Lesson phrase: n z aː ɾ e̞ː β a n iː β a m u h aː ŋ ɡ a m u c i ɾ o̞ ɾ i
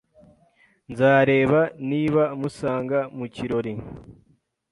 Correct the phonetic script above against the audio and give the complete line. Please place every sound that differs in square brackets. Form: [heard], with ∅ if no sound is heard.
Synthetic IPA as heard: n z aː ɾ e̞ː β a n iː β a m u [s] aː ŋ ɡ a m u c i ɾ o̞ ɾ i